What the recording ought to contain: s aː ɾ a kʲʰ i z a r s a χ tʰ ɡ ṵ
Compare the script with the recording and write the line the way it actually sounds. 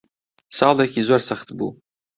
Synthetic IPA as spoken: s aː l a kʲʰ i z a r s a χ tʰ b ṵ